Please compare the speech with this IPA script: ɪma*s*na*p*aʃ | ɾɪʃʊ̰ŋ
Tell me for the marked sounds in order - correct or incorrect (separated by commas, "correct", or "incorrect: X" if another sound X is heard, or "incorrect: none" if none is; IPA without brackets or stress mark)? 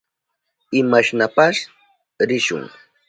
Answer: incorrect: ʃ, correct